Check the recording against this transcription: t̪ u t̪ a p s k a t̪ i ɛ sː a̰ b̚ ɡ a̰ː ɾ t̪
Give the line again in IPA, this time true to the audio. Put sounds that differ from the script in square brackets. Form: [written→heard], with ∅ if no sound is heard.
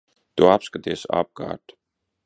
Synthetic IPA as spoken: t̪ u [t̪→∅] a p s k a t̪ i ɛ [sː→s] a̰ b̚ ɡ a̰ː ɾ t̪

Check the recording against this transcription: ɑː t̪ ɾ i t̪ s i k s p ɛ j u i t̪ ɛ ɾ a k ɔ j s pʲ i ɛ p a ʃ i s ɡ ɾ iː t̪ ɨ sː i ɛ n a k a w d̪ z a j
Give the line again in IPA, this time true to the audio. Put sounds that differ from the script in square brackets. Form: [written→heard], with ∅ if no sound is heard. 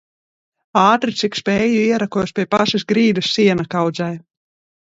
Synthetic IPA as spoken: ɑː t̪ ɾ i t̪ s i k s p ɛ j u i [t̪→∅] ɛ ɾ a k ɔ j s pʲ i ɛ p a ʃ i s ɡ ɾ iː [t̪→d̪] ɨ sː i ɛ n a k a w d̪ z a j

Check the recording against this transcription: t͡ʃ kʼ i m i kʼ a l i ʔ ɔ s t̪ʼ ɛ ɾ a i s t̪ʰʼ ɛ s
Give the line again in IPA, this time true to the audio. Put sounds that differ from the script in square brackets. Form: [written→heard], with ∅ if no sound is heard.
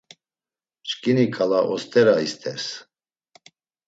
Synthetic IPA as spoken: t͡ʃ kʼ i [m→n] i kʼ a l [i→a] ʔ ɔ s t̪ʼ ɛ ɾ a i s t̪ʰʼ ɛ s

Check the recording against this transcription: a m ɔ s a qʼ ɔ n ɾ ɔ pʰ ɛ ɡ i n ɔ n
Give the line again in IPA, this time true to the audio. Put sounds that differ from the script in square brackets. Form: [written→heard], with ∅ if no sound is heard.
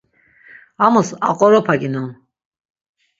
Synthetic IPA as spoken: a m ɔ s a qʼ ɔ [n→∅] ɾ ɔ pʰ [ɛ→a] ɡ i n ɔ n

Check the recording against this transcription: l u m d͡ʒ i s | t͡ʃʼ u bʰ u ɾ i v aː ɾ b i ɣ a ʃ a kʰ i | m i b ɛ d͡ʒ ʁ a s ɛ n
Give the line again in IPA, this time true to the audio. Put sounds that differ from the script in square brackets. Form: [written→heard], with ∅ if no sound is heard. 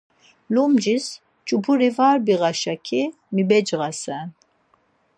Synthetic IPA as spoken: l u m d͡ʒ i s | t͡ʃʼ u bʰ u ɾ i v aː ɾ b i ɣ a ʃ a kʰ i | m i b ɛ d͡ʒ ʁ a s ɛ n

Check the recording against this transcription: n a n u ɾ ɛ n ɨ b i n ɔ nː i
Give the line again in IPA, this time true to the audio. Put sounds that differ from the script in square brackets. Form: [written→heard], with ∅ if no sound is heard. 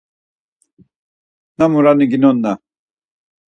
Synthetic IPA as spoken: n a [n→m] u ɾ [ɛ→a] n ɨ [b→ɡ] i n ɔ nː [i→a]

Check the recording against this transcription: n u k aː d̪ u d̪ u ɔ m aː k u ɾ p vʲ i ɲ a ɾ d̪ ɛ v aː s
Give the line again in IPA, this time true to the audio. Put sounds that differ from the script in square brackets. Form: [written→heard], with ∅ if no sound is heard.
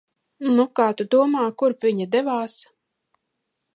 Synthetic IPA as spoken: n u k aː [d̪→t̪] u d̪ u ɔ m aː k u ɾ p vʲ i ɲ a [ɾ→∅] d̪ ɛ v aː s

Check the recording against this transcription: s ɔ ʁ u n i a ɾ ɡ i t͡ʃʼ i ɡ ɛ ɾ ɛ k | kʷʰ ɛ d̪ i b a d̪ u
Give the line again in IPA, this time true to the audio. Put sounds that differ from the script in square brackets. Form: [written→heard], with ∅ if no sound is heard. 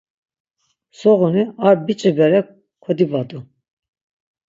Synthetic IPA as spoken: s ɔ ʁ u n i a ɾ [ɡ→b] i t͡ʃʼ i [ɡ→b] ɛ ɾ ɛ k | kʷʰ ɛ d̪ i b a d̪ u

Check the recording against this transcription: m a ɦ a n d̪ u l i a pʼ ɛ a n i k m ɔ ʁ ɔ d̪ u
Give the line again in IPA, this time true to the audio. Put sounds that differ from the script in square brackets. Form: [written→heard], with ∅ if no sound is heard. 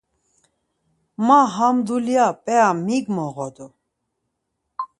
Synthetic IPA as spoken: m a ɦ a [n→m] d̪ u l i a pʼ ɛ a [n→m] i [k→ɡ] m ɔ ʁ ɔ d̪ u

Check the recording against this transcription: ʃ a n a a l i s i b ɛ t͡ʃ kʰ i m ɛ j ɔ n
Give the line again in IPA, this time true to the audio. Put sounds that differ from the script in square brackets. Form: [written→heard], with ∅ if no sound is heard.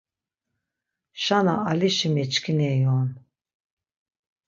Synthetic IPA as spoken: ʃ a n a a l i [s→ʃ] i [b→m] ɛ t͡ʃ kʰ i [m→n] ɛ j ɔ n

